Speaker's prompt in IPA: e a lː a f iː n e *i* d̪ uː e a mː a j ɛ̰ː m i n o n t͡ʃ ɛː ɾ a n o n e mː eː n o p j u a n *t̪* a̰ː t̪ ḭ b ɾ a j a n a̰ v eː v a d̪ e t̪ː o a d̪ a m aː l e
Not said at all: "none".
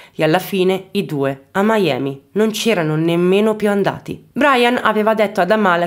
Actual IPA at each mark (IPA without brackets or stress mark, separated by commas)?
i, d̪